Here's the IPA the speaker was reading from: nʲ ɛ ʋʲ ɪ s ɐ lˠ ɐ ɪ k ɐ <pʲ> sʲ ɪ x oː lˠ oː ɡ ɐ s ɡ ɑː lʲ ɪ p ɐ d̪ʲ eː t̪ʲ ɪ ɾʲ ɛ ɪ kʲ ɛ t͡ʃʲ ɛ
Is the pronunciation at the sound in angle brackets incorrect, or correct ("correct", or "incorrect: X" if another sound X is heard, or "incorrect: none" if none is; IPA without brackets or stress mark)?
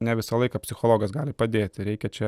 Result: correct